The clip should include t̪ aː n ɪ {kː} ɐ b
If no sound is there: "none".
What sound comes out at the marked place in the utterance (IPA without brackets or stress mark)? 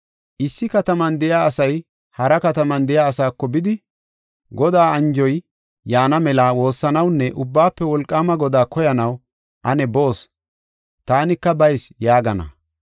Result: kː